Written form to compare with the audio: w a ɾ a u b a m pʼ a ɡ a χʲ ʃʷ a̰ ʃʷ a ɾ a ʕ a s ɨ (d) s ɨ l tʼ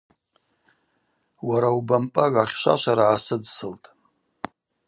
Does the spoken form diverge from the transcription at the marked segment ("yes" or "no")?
no